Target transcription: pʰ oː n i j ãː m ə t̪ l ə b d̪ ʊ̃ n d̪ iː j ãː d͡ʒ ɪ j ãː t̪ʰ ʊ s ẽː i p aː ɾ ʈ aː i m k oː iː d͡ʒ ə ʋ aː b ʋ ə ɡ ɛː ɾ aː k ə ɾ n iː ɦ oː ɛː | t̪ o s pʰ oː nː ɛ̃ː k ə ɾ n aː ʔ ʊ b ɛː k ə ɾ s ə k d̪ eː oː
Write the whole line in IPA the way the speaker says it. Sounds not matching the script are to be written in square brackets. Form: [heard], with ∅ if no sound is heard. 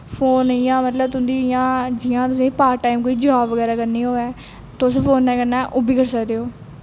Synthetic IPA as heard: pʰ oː n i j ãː m ə t̪ l ə b [t̪] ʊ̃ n d̪ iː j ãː d͡ʒ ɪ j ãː [t̪] ʊ s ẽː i p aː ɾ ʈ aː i m k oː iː d͡ʒ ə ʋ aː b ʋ ə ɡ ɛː ɾ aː k ə ɾ n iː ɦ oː ɛː | t̪ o s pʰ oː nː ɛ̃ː k ə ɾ n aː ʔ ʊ b [iː] k ə ɾ s ə k d̪ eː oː